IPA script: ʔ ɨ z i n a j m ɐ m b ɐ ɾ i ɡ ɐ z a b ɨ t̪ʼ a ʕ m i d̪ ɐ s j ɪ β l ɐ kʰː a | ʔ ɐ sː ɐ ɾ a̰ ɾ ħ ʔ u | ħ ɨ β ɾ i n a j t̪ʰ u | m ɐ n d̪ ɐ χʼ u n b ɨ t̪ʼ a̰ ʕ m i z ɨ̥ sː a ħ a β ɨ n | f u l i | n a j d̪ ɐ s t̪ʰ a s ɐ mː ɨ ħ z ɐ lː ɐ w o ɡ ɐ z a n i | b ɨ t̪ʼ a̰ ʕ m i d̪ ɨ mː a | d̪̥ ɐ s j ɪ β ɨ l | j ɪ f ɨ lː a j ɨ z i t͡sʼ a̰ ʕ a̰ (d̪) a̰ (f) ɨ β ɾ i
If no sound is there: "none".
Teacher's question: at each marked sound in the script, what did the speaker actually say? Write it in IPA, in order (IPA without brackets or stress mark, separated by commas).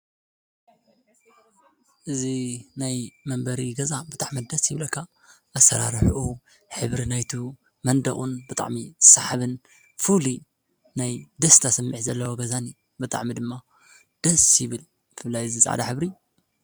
d̪, ħ